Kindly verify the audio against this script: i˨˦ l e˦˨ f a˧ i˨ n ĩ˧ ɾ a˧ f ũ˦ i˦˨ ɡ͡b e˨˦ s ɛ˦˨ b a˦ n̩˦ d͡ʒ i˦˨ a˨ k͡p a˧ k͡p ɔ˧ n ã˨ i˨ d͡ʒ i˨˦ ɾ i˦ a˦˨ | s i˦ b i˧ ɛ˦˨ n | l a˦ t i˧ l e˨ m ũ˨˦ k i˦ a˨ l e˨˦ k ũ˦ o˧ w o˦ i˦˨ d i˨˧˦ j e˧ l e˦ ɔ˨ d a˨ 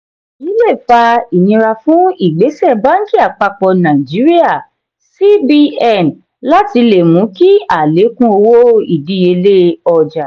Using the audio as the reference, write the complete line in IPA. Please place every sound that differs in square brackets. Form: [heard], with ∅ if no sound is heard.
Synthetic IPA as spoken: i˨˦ l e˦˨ f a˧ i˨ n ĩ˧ ɾ a˧ f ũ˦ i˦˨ ɡ͡b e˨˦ s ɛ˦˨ b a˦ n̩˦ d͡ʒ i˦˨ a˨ k͡p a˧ k͡p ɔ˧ n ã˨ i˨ d͡ʒ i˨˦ ɾ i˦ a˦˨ | s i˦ b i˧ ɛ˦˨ n | l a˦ t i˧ l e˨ m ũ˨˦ k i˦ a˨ l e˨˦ k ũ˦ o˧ w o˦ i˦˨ d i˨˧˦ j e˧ l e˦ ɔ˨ [d͡ʒ] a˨